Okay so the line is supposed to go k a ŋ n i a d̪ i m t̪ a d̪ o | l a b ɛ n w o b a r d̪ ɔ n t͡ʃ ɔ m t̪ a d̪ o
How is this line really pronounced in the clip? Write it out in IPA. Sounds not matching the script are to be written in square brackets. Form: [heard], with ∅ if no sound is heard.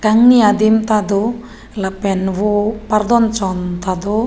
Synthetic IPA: k a ŋ n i a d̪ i m t̪ a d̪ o | l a [p] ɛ n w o [p] a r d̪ ɔ n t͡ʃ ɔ [n] t̪ a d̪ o